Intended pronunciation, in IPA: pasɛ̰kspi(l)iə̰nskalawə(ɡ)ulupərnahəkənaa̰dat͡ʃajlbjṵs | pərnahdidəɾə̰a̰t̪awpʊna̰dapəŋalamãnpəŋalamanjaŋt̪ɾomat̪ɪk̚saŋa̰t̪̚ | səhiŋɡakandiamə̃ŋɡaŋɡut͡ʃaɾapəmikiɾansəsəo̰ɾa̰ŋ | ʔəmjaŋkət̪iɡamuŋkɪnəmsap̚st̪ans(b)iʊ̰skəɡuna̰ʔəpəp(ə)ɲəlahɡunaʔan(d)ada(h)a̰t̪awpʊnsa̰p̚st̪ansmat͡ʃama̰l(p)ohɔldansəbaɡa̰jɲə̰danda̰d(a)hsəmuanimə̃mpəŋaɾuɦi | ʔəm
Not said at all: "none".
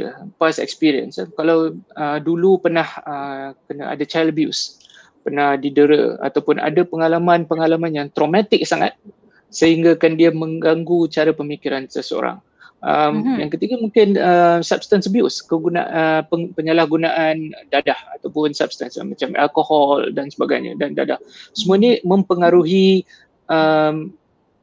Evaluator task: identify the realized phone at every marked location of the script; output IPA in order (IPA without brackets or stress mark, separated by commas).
ɾ, d, b, ə, d, h, k, a